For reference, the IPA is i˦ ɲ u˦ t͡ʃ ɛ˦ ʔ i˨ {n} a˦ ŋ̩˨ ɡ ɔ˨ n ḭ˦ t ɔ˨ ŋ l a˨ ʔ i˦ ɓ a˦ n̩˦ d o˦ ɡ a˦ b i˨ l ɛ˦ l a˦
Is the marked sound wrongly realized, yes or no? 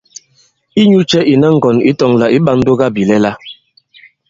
no